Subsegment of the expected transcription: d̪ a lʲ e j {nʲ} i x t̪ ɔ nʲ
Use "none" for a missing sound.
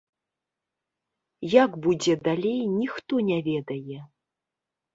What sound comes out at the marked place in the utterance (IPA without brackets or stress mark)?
nʲ